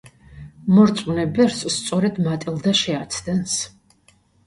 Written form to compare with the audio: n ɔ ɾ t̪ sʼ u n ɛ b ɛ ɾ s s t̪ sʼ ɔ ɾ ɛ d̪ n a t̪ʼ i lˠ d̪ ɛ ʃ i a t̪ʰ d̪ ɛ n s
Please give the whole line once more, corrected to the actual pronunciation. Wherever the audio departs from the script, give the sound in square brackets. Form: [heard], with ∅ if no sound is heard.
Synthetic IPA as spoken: [m] ɔ ɾ t̪ sʼ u n ɛ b ɛ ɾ s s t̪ sʼ ɔ ɾ ɛ d̪ [m] a t̪ʼ i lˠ d̪ [a] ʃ [ɛ] a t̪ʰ d̪ ɛ n s